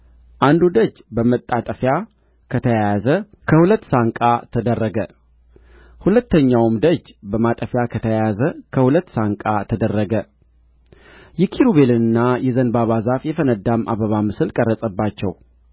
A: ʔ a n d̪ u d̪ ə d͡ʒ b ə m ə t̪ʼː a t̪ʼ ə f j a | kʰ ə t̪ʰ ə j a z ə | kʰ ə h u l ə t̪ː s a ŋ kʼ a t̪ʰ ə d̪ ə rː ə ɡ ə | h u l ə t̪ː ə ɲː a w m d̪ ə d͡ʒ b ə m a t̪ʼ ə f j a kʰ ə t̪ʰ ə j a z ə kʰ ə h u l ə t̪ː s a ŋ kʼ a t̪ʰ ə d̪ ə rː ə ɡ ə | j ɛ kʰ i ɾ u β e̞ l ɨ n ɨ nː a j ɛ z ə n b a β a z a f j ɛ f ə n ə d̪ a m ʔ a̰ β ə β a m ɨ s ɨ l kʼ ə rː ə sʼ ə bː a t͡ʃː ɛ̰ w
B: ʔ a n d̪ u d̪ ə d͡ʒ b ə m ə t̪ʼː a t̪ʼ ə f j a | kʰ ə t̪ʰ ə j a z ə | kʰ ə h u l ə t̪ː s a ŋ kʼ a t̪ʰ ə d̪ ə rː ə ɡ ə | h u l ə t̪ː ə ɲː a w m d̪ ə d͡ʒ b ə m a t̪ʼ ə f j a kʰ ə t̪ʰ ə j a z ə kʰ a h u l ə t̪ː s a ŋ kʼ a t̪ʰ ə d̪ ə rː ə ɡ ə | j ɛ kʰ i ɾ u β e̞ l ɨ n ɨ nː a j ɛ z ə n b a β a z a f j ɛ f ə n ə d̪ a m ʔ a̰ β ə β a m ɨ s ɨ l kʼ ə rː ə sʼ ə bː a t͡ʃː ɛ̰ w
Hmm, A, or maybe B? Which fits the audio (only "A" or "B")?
A